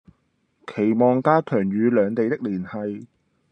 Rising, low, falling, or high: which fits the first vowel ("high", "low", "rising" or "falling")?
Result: low